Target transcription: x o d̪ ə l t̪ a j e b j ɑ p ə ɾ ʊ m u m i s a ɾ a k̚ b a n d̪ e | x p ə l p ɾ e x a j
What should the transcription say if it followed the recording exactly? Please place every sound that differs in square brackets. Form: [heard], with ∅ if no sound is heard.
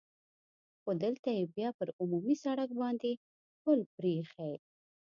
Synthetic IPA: x o d̪ ə l t̪ a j e b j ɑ p ə ɾ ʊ m u m i s a [ɽ] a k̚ b [ɑ] n d̪ e | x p ə l p ɾ e x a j